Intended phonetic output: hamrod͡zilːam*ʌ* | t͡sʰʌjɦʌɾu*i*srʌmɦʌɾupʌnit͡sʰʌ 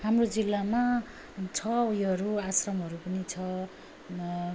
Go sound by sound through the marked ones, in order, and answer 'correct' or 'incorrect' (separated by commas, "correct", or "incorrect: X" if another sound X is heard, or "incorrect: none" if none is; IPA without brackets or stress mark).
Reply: incorrect: a, incorrect: a